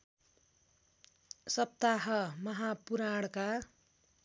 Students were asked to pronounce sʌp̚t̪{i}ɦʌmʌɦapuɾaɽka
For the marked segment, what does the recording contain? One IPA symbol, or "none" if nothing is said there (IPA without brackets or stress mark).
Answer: a